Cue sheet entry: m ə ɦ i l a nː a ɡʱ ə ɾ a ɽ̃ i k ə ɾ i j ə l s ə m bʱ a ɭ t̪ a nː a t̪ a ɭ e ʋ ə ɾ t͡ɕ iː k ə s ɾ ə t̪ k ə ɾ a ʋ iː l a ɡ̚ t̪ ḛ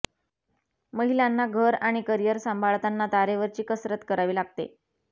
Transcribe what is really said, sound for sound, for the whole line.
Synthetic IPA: m ə ɦ i l a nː a ɡʱ ə ɾ a ɽ̃ i k ə ɾ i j ə ɾ s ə m bʱ a ɭ t̪ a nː a t̪ a ɾ e ʋ ə ɾ t͡ɕ iː k ə s ɾ ə t̪ k ə ɾ a ʋ iː l a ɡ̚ t̪ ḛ